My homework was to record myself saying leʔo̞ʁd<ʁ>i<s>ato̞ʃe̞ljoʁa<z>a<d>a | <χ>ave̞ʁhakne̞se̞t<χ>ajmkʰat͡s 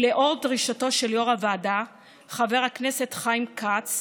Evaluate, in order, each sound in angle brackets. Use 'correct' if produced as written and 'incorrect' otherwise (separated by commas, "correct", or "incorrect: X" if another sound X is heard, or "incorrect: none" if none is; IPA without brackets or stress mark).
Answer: correct, incorrect: ʃ, incorrect: v, correct, correct, correct